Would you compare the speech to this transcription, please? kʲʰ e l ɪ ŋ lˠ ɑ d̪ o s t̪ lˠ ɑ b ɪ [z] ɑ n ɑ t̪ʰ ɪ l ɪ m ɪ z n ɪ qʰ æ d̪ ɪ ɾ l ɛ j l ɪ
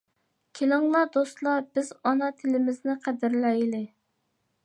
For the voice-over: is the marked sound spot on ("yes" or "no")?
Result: yes